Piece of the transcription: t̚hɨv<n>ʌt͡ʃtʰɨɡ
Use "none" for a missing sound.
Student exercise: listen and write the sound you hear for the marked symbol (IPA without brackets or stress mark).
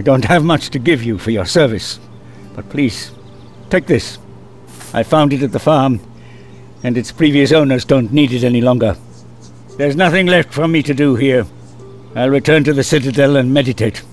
m